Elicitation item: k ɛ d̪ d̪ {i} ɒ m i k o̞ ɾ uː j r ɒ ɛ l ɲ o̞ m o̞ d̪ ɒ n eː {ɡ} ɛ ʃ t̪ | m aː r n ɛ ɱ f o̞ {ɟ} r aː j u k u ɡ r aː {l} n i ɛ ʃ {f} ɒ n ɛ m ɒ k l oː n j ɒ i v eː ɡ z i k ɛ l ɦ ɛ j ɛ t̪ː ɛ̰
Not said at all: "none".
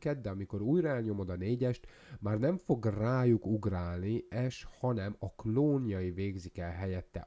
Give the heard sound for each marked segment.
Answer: ɛ, ɟ, ɡ, l, h

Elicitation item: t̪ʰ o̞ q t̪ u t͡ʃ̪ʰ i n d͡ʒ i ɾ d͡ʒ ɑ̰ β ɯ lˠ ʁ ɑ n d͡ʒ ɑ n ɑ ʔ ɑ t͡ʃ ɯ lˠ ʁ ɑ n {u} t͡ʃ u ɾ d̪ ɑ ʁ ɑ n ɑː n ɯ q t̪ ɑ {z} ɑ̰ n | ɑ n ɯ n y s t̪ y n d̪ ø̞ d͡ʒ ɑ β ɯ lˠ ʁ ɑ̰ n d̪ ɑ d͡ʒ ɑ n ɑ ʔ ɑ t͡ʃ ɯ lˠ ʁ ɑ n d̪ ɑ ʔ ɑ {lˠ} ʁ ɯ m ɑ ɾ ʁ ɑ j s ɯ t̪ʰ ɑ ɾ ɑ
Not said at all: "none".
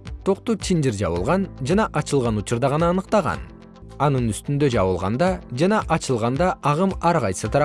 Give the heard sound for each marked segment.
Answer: u, ʁ, none

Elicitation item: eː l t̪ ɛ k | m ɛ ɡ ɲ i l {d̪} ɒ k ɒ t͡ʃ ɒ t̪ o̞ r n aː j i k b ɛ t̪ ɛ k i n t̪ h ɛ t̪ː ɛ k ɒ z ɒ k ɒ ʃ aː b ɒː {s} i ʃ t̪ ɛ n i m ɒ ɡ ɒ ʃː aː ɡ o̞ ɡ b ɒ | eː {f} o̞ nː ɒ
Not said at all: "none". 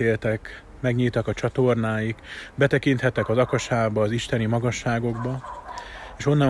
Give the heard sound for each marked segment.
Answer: t̪, z, ʃ

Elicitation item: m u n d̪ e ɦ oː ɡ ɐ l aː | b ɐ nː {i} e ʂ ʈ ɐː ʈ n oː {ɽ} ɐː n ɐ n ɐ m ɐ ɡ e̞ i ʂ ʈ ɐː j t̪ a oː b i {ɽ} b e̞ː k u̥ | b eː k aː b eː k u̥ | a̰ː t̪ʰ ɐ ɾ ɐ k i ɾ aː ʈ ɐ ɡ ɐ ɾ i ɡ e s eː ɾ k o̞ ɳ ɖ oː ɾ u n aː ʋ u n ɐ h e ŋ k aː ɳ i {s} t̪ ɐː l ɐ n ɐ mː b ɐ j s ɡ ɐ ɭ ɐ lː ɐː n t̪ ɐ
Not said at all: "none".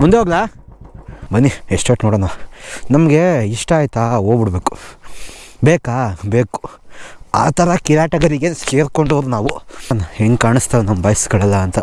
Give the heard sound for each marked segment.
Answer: i, ɽ, ɽ, s

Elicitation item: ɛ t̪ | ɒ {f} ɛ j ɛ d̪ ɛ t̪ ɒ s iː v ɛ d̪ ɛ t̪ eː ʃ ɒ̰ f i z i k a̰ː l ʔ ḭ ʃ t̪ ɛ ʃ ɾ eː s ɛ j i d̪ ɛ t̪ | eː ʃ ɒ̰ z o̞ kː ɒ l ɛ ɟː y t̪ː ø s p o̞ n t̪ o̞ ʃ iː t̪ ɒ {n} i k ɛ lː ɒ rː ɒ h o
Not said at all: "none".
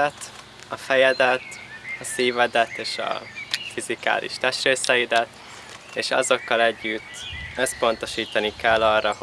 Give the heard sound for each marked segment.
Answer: f, n

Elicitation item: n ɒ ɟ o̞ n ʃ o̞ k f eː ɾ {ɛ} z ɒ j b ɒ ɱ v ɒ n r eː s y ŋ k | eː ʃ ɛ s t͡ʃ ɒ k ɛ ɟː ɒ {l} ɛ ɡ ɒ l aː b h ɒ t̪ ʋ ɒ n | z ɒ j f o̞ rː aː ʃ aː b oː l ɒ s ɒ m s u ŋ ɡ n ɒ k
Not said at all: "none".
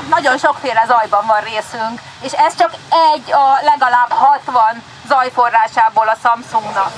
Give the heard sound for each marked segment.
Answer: ɛ, l

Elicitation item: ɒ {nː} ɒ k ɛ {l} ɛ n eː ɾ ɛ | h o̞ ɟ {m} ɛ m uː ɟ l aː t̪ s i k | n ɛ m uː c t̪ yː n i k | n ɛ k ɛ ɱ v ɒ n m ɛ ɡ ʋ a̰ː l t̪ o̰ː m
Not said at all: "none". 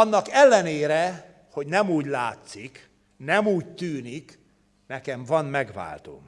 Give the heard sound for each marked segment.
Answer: nː, lː, n

